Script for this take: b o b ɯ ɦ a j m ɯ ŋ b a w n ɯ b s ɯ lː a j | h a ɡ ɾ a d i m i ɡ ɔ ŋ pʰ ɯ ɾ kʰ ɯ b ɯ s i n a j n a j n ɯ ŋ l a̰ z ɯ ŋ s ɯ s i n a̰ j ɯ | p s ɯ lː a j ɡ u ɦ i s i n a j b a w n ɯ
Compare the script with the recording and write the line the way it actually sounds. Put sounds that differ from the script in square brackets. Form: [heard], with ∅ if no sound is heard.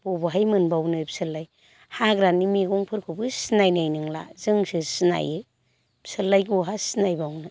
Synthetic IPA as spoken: b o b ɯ ɦ a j m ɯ [n] b a w n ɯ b s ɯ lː a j | h a ɡ ɾ a [n] i m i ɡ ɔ ŋ pʰ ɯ ɾ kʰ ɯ b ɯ s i n a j n a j n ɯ ŋ l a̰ z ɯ ŋ s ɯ s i n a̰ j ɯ | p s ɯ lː a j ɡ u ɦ [a] s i n a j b a w n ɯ